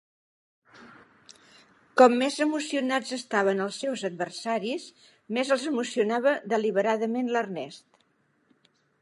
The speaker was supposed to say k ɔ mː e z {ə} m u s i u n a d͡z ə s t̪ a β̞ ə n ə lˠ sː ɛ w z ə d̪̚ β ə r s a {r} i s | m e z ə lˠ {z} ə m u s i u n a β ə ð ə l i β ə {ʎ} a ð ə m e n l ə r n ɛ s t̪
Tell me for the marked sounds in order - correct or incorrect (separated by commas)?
correct, incorrect, correct, incorrect